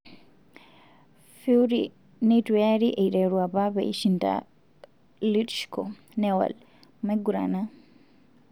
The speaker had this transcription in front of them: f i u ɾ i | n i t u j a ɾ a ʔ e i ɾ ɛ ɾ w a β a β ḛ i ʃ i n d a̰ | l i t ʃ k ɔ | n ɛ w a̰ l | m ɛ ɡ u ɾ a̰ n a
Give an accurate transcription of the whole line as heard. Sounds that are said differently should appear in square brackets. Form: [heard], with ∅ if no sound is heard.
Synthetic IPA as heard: f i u ɾ i | n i t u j a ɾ [i] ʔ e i ɾ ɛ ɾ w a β a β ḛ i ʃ i n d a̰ | l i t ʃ k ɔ | n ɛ w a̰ l | m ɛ ɡ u ɾ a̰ n a